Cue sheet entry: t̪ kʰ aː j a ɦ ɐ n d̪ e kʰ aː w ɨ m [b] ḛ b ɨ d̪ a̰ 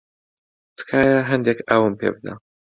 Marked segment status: incorrect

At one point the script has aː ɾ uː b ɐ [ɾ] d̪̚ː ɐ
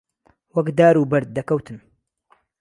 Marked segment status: correct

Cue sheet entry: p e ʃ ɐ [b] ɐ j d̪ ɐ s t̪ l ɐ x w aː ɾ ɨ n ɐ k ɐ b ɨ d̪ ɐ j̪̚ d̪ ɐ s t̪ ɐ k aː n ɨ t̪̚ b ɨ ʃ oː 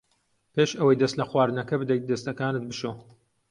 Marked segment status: incorrect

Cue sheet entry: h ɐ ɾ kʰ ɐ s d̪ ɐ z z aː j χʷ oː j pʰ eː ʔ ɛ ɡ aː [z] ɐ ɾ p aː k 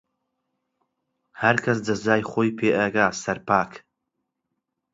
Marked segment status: incorrect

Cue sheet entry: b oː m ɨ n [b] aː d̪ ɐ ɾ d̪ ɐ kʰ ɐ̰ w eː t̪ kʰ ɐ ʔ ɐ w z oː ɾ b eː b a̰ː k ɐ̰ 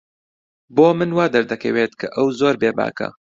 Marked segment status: incorrect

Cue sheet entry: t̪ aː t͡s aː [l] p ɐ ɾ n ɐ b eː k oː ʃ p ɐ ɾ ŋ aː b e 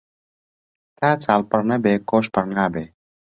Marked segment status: correct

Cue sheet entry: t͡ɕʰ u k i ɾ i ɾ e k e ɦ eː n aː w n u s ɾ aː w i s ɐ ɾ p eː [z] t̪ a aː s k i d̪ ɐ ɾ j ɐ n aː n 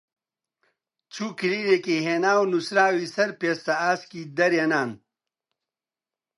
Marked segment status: incorrect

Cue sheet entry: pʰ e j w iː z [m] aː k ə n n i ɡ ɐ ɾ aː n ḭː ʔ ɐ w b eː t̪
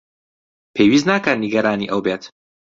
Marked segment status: incorrect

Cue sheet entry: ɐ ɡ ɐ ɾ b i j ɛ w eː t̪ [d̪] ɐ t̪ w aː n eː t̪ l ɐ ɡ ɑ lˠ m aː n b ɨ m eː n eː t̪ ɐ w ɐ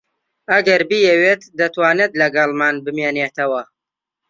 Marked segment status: correct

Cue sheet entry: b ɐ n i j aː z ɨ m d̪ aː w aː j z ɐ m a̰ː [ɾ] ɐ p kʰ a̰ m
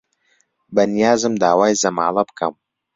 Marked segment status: incorrect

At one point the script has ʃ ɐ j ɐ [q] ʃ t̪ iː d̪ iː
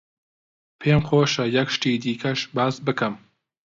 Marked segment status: incorrect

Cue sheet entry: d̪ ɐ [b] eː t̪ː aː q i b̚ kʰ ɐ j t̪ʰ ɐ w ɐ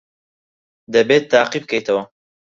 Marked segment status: correct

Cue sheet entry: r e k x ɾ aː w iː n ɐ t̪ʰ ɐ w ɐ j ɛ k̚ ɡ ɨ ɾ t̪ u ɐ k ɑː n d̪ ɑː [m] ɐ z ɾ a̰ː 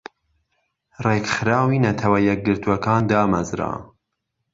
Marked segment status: correct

